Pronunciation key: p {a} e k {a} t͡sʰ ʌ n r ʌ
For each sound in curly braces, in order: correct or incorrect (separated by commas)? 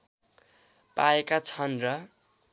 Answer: correct, correct